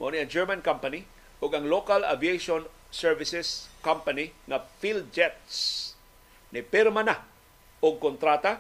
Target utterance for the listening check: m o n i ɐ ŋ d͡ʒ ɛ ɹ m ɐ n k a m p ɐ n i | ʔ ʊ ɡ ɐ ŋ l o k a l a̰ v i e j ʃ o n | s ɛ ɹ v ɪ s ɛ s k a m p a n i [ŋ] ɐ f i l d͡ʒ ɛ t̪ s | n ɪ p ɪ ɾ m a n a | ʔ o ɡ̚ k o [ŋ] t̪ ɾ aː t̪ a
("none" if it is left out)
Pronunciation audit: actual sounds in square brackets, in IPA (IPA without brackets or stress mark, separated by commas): ŋ, n